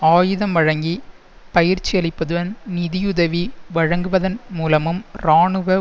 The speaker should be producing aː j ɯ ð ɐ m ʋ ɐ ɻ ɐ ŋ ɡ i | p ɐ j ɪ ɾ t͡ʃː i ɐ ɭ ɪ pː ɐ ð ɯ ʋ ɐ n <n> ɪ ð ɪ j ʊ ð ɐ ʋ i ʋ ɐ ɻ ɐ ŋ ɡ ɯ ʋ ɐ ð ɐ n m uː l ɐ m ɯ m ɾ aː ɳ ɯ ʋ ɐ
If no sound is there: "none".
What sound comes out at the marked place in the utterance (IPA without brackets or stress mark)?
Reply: n